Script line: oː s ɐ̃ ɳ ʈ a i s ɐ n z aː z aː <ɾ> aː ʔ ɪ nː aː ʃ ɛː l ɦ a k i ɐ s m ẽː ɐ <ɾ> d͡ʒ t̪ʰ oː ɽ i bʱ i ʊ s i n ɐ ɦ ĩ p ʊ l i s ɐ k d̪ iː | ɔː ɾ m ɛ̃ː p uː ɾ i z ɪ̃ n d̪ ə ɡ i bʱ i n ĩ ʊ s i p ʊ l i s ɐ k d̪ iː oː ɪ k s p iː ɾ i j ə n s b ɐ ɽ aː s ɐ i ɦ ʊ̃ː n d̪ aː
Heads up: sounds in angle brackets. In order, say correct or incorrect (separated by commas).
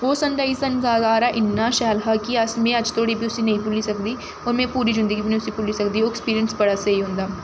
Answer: correct, incorrect